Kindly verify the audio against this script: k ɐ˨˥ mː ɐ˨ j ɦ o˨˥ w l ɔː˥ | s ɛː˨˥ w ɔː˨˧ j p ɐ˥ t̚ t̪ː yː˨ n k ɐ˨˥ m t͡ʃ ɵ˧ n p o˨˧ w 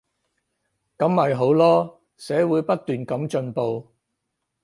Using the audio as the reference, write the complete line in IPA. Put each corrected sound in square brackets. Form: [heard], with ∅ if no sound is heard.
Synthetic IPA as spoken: k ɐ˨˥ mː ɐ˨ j ɦ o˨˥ w l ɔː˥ | s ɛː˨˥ w [uː˨˧] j p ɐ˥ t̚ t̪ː yː˨ n k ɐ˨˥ m t͡ʃ ɵ˧ n p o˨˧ w